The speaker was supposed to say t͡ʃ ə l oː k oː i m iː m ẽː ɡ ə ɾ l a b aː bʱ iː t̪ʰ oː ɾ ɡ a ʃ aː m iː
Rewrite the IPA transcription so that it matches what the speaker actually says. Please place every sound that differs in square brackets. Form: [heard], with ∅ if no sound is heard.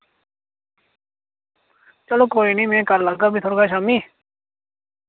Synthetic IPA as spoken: t͡ʃ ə l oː k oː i [n] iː m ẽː [k] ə ɾ l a [ɡ] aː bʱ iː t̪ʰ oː ɾ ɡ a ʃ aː m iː